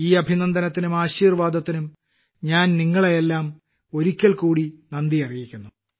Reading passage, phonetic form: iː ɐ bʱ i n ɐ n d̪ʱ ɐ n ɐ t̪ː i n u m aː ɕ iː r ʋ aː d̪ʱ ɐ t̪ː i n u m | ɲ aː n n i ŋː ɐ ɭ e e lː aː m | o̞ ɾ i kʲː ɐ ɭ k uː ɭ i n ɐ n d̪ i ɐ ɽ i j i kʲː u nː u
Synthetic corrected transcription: iː ɐ bʱ i n ɐ n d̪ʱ ɐ n ɐ t̪ː i n u m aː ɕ iː r ʋ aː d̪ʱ ɐ t̪ː i n u m | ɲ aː n n i ŋː ɐ ɭ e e lː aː m | o̞ ɾ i kʲː ɐ ɭ k uː ɽ i n ɐ n d̪ i ɐ r i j i kʲː u nː u